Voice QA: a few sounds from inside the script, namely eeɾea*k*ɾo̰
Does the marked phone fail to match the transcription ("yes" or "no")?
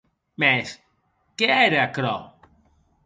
no